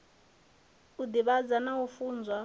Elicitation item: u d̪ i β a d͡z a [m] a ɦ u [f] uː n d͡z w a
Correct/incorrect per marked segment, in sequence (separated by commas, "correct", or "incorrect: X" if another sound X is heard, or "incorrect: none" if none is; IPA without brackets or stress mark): incorrect: n, correct